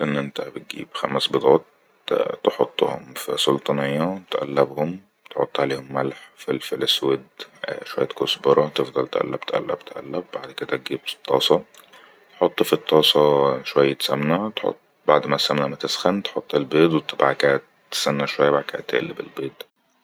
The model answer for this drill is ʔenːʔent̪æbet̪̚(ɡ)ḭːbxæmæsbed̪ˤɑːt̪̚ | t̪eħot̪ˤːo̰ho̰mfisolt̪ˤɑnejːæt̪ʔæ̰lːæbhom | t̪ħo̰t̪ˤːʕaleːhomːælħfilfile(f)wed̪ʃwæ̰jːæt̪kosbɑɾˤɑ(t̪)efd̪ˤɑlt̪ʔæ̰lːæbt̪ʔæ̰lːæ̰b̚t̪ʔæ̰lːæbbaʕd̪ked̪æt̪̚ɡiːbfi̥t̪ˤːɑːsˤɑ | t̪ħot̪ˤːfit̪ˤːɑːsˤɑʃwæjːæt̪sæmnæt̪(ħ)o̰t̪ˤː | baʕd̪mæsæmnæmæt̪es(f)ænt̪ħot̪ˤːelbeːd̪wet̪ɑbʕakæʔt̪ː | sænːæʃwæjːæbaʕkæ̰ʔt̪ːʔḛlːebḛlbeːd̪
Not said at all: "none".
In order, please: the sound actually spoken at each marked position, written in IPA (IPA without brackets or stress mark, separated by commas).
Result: ɡ, s, t̪, ħ, x